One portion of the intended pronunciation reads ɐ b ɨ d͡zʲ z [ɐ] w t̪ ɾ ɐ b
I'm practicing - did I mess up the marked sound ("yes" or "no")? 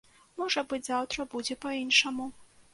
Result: yes